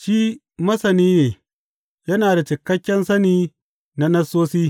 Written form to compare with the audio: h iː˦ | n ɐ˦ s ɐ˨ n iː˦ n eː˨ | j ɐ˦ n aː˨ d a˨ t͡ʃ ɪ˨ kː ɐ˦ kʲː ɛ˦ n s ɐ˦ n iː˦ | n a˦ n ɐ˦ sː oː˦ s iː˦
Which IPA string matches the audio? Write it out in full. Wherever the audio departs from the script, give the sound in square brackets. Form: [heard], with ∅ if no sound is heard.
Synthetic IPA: [ʃ] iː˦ | [m] ɐ˦ s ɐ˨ n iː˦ n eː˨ | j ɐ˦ n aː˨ d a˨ t͡ʃ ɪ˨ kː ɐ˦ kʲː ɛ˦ n s ɐ˦ n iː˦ | n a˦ n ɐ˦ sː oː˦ s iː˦